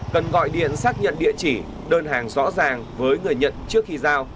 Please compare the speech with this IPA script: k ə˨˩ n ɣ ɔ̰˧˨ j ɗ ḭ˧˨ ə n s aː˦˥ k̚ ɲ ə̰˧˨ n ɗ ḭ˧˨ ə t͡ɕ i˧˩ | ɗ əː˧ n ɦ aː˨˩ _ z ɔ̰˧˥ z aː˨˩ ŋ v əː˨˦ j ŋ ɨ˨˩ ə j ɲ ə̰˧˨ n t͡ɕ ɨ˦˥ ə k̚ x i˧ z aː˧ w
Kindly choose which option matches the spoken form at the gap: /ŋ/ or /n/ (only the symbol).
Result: ŋ